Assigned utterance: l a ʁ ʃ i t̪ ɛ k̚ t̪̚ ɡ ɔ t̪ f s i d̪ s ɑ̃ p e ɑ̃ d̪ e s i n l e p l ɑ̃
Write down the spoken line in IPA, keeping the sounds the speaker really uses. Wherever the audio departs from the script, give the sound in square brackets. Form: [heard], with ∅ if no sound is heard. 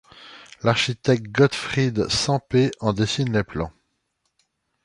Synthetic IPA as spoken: l a ʁ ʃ i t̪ ɛ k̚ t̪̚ ɡ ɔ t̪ f [χ] i d̪ s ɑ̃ p e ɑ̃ d̪ e s i n l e p l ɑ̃